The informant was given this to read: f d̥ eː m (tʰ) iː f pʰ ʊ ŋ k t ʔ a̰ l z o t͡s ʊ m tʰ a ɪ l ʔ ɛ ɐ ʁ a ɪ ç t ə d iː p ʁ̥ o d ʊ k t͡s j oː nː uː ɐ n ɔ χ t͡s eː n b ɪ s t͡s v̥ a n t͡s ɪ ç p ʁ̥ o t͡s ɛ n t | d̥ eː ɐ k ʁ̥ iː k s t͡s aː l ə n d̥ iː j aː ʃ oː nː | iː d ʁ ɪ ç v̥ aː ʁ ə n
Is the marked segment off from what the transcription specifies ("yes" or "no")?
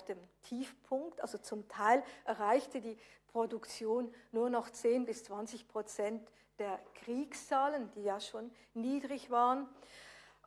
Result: no